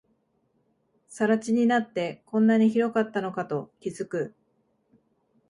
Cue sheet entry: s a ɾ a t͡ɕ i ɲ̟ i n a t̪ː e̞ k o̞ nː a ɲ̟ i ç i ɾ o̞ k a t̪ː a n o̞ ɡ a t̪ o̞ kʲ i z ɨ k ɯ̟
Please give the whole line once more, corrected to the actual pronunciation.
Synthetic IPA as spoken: s a ɾ a t͡ɕ i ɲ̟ i n a t̪ː e̞ k õ̞ nː a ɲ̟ i ç i ɾ o̞ k a t̪ː a n o̞ k a t̪ o̞ kʲ i z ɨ k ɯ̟

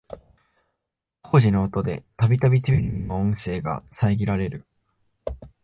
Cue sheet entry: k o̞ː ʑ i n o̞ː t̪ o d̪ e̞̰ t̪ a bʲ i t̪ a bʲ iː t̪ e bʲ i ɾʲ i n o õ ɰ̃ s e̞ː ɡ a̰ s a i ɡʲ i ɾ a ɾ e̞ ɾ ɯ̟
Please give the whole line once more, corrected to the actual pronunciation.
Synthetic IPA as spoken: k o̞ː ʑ i n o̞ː t̪ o d̪ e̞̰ t̪ a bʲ i t̪ a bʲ i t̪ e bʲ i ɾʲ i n o õ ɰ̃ s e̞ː ɡ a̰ s a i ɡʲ i ɾ a ɾ e̞ ɾ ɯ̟

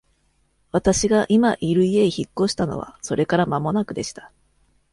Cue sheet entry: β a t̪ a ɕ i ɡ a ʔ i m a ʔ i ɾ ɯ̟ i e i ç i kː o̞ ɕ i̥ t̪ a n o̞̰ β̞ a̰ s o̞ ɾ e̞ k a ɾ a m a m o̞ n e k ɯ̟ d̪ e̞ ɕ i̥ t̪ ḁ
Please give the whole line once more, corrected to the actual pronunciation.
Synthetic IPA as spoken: β a t̪ a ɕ i ɡ a ʔ i m a ʔ i ɾ ɯ̟ i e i ç i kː o̞ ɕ i̥ t̪ a n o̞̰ β̞ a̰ s o̞ ɾ e̞ k a ɾ a m a m o̞ n a k ɯ̟ d̪ e̞ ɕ i̥ t̪ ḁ

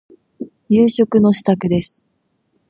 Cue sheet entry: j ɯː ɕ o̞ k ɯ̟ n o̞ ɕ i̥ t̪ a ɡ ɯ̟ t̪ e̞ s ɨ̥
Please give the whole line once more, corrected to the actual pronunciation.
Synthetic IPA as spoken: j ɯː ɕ o̞ k ɯ̟ n o̞ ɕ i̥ t̪ a k ɯ̟ d̪ e̞ s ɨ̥

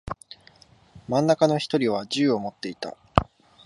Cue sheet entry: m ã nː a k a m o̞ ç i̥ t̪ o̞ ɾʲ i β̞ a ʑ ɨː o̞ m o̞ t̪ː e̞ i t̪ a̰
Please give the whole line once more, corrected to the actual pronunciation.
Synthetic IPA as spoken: m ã nː a k a n o̞ ç i̥ t̪ o̞ ɾʲ i β̞ a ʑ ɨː o̞ m o̞ t̪ː e̞ i t̪ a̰

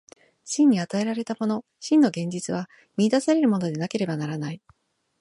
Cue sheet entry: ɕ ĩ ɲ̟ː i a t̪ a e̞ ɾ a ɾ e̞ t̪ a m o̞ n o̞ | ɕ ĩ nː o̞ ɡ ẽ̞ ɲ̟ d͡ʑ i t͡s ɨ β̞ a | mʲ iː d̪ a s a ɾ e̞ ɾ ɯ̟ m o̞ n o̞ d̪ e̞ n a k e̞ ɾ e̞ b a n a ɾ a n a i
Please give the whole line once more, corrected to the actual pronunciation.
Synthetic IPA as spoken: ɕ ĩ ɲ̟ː i a t̪ a e̞ ɾ a ɾ e̞ t̪ a m o̞ n o̞ | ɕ ĩ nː o̞ ɡ ẽ̞ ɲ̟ d͡ʑ i t͡s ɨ β̞ a | mʲ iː d̪ a s a ɾ e̞ ɾ ɯ̟ m o̞ n o̞ d̪ e̞ n a k e̞ ɾ e̞ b a n a ɾ a n a i

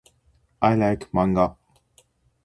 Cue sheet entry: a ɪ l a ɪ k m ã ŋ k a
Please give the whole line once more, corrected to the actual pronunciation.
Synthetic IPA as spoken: a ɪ l a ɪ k m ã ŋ ɡ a

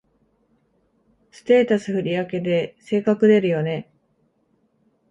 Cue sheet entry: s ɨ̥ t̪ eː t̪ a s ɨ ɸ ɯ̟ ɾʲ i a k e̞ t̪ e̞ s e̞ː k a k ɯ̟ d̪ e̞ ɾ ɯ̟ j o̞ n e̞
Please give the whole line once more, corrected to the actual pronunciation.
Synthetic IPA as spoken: s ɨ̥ t̪ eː t̪ a s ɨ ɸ ɯ̟ ɾʲ i a k e̞ d̪ e̞ s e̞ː k a k ɯ̟ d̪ e̞ ɾ ɯ̟ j o̞ n e̞

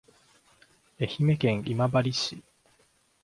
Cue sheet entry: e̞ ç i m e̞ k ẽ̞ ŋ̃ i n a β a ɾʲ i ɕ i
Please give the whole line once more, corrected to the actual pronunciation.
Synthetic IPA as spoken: e̞ ç i m e̞ k ẽ̞ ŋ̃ i m a b a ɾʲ i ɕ i

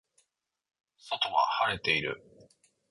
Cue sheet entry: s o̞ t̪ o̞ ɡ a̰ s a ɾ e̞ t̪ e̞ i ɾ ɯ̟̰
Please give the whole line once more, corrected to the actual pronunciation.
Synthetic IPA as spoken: s o̞ t̪ o̞ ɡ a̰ h a ɾ e̞ t̪ e̞ i ɾ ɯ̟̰

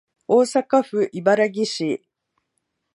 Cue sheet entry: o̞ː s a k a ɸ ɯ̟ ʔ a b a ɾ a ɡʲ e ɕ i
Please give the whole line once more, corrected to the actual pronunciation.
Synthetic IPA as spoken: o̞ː s a k a ɸ ɯ̟ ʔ i b a ɾ a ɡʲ i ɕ i

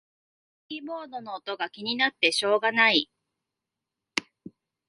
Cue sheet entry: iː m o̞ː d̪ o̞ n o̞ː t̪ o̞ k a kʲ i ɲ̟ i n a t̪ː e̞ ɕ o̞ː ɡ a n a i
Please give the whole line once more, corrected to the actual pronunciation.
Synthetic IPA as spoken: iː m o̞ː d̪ o̞ n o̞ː t̪ o̞ ɡ a kʲ i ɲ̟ i n a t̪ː e̞ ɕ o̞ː ɡ a n a i

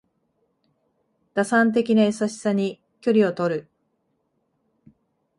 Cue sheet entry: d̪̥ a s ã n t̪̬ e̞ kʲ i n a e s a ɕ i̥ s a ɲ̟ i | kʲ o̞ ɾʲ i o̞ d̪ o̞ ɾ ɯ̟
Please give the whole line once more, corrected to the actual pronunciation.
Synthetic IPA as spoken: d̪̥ a s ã n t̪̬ e̞ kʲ i n a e s a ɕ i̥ s a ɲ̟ i | kʲ o̞ ɾʲ i o̞ t̪ o̞ ɾ ɯ̟

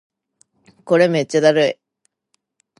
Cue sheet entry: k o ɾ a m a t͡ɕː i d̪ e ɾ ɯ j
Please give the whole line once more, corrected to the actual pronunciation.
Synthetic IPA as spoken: k o ɾ e m e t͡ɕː a d̪ a ɾ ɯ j

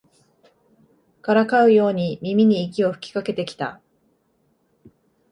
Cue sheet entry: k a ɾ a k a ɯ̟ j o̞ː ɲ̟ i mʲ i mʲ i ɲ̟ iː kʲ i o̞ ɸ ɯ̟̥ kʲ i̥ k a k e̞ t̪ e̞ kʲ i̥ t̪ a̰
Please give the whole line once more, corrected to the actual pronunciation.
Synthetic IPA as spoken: k a ɾ a k a ɯ̟ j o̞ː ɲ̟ i mʲ i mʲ i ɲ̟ iː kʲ i o̞ ɸ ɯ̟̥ kʲ i̥ k a k e̞ t̪ e̞ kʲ i̥ t̪ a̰

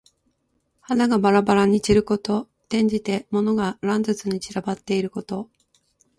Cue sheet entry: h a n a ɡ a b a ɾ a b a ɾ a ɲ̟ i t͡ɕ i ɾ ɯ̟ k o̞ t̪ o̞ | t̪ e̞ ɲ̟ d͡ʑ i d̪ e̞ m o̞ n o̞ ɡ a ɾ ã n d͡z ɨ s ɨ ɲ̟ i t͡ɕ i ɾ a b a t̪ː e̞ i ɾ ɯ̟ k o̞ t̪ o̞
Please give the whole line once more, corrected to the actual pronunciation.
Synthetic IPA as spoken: h a n a ɡ a b a ɾ a b a ɾ a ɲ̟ i t͡ɕ i ɾ ɯ̟ k o̞ t̪ o̞ | t̪ ẽ̞ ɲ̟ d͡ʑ i t̪ e̞ m o̞ n o̞ ɡ a ɾ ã n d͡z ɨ t͡s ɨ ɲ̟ i t͡ɕ i ɾ a b a t̪ː e̞ i ɾ ɯ̟ k o̞ t̪ o̞

